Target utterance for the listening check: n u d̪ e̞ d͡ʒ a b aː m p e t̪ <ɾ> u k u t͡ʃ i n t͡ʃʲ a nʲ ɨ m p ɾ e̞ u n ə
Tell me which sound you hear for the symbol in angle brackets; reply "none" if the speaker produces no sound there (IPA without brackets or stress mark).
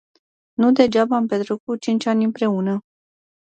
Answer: ɾ